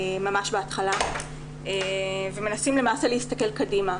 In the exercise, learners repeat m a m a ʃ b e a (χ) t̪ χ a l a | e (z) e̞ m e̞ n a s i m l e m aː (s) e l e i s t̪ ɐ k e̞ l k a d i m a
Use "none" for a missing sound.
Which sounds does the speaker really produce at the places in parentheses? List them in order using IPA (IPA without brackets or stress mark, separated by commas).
none, v, s